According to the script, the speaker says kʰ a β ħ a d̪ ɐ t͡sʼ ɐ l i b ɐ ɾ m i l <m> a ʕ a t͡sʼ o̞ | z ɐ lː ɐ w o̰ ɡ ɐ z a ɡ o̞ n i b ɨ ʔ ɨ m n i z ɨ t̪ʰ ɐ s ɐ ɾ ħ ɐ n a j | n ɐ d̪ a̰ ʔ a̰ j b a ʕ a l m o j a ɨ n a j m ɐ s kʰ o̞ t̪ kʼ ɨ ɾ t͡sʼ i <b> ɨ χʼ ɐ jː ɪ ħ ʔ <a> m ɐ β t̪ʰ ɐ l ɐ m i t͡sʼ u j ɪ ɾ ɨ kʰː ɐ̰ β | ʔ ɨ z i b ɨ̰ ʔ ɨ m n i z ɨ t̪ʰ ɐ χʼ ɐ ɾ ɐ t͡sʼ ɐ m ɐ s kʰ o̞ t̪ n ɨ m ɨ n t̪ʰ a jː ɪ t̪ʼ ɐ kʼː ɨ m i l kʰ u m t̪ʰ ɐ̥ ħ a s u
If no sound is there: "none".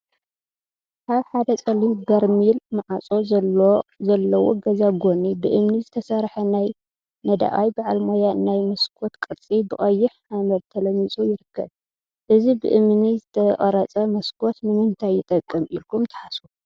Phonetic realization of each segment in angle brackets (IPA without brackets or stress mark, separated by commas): m, b, a